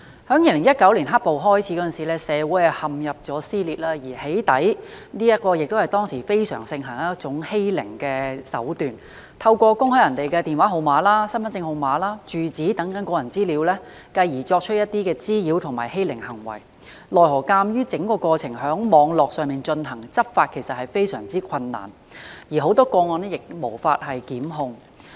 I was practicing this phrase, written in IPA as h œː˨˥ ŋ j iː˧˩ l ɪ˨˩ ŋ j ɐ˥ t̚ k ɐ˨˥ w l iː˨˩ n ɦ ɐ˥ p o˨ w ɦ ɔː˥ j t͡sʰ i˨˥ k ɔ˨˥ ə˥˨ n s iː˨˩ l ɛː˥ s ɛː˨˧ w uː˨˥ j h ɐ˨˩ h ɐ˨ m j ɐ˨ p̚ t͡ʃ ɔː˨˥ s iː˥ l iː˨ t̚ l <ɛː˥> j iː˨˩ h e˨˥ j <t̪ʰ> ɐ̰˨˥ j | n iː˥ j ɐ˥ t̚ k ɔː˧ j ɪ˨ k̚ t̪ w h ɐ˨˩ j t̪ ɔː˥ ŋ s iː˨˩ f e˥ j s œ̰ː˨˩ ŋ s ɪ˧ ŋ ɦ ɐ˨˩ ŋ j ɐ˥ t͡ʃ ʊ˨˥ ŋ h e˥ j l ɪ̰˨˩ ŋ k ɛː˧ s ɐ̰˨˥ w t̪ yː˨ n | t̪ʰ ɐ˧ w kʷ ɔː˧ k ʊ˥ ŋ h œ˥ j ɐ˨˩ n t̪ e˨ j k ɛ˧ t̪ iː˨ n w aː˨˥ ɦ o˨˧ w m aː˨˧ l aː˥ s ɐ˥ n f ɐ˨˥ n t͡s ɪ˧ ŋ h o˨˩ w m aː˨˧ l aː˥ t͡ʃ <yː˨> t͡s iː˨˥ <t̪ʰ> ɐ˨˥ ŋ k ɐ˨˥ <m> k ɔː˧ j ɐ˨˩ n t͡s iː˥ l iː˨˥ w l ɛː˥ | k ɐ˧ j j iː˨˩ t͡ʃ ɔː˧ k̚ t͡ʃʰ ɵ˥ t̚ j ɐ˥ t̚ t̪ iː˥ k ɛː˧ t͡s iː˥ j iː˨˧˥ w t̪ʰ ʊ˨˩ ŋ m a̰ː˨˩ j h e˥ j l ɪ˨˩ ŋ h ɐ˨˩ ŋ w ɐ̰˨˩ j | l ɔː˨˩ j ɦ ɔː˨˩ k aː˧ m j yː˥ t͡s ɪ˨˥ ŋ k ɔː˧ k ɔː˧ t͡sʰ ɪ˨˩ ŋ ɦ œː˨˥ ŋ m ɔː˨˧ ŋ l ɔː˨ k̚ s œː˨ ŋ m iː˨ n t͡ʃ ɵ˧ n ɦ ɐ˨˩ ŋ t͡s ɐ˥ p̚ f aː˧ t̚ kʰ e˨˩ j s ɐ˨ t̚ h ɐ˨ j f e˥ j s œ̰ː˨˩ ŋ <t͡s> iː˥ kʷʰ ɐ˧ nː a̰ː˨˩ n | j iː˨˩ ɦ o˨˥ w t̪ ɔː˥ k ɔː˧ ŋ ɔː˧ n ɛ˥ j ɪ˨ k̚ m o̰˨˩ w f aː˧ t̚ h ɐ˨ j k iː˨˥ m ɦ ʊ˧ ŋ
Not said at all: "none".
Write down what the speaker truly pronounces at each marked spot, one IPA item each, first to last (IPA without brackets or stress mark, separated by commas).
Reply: aː˥, t̪, yː˨, t̪, n, t͡s